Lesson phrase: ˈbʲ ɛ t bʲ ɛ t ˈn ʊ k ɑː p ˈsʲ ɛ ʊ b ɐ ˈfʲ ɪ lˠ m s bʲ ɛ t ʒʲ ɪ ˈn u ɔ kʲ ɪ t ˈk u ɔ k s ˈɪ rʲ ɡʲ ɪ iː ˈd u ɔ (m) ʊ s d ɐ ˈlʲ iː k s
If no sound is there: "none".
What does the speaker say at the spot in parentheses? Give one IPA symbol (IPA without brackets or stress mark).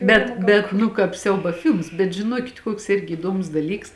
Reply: m